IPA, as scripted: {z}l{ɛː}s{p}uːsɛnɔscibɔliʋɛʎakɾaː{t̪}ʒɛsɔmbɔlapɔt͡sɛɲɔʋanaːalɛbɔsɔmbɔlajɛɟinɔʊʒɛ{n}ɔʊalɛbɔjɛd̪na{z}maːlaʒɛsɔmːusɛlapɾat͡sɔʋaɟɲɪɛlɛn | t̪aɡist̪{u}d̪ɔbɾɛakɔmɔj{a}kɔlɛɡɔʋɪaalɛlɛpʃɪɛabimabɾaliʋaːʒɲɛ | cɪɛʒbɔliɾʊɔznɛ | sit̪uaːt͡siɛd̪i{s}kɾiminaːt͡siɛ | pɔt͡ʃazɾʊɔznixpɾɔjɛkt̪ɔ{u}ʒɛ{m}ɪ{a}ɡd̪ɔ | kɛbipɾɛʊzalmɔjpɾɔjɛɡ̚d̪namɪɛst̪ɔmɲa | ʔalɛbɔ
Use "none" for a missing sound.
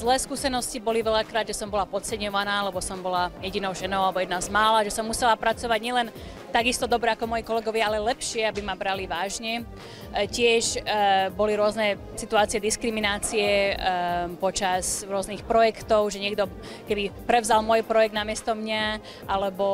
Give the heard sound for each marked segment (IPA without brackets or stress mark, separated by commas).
z, ɛː, k, d̪, n, z, ɔ, i, s, ʊ, ɲ, ɛ